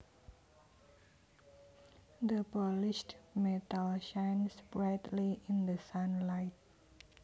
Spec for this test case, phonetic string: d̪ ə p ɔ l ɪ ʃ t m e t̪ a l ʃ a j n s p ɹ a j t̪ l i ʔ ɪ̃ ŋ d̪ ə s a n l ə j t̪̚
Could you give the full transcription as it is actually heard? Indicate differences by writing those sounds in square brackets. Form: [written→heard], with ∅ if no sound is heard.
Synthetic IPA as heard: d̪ ə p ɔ l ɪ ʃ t m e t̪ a l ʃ a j n s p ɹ a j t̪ l i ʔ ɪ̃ [ŋ→n] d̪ ə s a n l [ə→a] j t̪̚